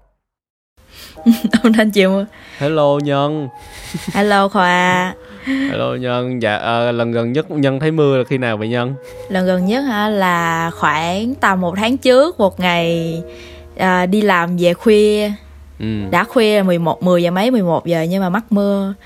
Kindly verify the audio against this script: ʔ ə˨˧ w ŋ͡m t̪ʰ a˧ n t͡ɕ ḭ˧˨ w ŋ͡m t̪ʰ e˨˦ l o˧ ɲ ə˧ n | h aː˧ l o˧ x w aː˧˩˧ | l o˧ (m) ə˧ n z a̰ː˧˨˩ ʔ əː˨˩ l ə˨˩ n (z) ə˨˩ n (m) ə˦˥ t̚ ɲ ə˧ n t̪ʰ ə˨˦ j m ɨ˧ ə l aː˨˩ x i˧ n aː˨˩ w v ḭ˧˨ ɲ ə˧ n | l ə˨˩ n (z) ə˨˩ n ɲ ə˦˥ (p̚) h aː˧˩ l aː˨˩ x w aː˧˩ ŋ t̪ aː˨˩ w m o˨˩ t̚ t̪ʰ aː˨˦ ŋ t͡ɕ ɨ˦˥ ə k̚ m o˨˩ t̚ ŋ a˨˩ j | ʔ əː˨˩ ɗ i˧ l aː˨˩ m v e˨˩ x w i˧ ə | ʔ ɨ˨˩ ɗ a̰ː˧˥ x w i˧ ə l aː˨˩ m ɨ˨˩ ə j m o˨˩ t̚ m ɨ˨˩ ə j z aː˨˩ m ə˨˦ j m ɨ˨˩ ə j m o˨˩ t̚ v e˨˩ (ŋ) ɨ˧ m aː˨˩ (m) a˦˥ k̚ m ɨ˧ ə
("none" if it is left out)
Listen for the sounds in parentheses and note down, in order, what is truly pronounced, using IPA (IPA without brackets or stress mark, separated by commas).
ɲ, ɣ, ɲ, ɣ, t̚, ɲ, m